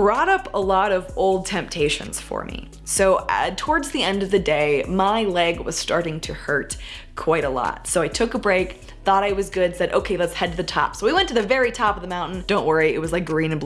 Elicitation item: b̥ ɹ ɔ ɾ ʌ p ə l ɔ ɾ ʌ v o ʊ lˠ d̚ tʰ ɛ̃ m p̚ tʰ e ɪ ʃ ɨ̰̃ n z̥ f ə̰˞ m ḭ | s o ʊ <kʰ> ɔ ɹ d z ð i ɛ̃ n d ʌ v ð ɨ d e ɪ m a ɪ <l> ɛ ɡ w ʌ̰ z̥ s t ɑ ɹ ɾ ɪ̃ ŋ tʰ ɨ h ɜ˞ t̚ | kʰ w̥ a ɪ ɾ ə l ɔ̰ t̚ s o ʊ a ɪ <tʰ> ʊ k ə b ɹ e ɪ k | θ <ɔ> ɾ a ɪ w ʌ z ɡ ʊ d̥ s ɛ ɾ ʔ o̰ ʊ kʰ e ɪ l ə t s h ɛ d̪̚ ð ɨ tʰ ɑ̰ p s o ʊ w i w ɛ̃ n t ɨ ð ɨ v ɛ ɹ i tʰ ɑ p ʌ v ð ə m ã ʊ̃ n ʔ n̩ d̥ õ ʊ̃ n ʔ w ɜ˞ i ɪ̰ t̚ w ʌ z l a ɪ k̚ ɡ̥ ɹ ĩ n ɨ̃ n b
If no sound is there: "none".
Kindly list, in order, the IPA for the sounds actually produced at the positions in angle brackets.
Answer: tʰ, l, tʰ, ɔ

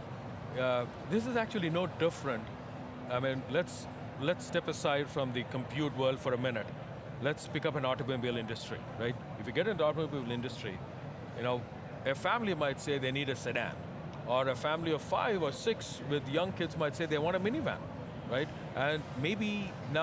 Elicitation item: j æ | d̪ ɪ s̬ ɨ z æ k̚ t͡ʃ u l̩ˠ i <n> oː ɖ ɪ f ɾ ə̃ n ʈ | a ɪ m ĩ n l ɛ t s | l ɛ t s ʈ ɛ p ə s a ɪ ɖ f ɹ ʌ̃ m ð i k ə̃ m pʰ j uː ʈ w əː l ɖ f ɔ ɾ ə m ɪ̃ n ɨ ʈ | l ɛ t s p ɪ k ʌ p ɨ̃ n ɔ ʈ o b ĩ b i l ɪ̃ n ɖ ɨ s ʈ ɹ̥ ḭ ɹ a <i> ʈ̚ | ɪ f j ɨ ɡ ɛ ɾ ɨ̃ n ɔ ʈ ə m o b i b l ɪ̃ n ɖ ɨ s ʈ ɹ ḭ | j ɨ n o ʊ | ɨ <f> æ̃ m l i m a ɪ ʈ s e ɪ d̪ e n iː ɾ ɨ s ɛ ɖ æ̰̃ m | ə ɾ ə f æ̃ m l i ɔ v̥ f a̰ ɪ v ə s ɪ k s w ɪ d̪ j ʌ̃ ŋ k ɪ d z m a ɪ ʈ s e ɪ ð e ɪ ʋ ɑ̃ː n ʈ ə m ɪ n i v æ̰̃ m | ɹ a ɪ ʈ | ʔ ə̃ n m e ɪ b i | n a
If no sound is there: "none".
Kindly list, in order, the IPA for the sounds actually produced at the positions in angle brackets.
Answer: n, ɪ, f

